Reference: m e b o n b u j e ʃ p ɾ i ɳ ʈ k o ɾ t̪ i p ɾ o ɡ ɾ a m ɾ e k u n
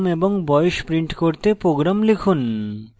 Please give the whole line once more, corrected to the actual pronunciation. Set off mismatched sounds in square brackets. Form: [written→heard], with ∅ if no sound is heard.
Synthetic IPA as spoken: m e b o [n→ŋ] b [u→ɔ] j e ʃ p ɾ i ɳ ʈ k o ɾ t̪ [i→e] p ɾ o ɡ ɾ a m [ɾ→l] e [k→kʰ] u n